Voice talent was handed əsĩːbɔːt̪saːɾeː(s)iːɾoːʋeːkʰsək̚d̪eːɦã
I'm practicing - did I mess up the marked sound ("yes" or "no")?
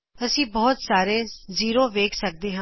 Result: yes